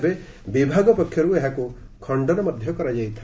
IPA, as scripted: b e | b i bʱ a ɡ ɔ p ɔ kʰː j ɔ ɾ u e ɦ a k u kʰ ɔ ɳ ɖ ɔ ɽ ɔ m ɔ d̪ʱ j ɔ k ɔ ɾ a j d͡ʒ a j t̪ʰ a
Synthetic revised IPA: b e | b i bʱ a ɡ ɔ p ɔ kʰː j ɔ ɾ u e ɦ a k u kʰ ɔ ɳ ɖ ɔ ɾ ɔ m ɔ d̪ʱ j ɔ k ɔ ɾ a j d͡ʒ a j t̪ʰ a